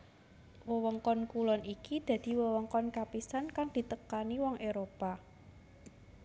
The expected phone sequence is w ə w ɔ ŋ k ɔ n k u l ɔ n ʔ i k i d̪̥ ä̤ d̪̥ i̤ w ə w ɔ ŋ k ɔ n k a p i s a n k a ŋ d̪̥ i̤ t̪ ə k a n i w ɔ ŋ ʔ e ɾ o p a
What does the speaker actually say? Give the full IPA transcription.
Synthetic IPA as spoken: w ə w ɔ ŋ k ɔ n k u l ɔ n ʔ i k i d̪̥ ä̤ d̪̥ i̤ w ə w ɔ ŋ k ɔ n k a p i s a n k a ŋ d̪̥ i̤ t̪ ə k a n i w ɔ ŋ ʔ e ɾ o p a